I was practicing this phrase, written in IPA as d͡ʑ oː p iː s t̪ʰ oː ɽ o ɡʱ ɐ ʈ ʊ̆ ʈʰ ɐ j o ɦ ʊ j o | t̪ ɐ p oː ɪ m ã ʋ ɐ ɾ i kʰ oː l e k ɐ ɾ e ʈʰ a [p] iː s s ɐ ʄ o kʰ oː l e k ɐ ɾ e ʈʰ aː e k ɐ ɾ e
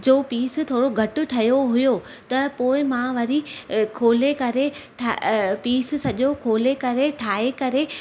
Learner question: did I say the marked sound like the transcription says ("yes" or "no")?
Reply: yes